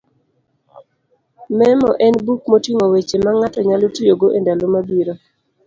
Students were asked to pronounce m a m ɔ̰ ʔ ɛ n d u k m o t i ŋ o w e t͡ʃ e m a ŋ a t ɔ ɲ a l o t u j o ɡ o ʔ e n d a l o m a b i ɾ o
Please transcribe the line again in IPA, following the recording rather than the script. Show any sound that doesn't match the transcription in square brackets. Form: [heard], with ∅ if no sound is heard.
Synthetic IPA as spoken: m [ɛ] m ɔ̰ ʔ ɛ n [b] u k m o t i ŋ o w e t͡ʃ e m a ŋ a t ɔ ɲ a l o t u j o ɡ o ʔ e n d a l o m a b i ɾ o